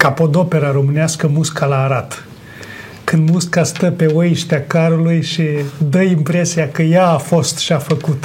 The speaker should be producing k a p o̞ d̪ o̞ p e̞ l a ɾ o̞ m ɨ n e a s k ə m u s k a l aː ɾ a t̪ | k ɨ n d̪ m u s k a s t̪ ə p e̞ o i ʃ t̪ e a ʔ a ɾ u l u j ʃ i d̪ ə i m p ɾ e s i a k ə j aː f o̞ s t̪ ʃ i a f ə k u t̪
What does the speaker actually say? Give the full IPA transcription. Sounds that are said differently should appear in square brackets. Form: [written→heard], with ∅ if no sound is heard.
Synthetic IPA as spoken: k a p o̞ d̪ o̞ p e̞ [l→ɾ] a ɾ o̞ m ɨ n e a s k ə m u s k a l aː ɾ a t̪ | k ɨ n d̪ m u s k a s t̪ ə p e̞ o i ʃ t̪ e a [ʔ→k] a ɾ u l u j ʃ i d̪ ə i m p ɾ e s i a k ə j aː f o̞ s t̪ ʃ i a f ə k u t̪